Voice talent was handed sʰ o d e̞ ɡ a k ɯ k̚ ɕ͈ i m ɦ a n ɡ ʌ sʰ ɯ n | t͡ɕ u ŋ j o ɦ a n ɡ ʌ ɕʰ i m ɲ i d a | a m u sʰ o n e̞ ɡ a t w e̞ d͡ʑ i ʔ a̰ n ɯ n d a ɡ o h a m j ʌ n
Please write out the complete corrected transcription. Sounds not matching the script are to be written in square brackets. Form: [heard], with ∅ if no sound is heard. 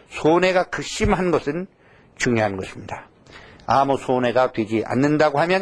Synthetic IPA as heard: sʰ o [n] e̞ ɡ a k ɯ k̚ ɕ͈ i m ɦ a n ɡ ʌ sʰ ɯ n | t͡ɕ u ŋ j o ɦ a n ɡ ʌ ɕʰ i m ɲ i d a | a m u sʰ o n e̞ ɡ a t w e̞ d͡ʑ i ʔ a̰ [nː] ɯ n d a ɡ o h a m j ʌ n